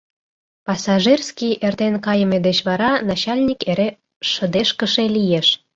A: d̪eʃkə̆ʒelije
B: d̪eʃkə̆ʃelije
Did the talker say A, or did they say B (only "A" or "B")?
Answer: B